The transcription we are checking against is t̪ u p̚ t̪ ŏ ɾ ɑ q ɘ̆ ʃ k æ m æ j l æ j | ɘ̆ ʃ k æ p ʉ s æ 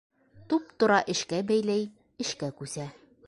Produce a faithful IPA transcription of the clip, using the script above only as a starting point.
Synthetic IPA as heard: t̪ u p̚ t̪ ŏ ɾ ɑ ʔ ɘ̆ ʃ k æ b æ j l æ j | ɘ̆ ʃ k æ k ʉ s æ